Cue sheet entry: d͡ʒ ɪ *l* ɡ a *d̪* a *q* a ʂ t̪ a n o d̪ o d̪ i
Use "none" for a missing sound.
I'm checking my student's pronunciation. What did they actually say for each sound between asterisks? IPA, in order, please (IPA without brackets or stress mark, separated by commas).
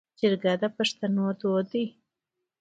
ɾ, d̪, p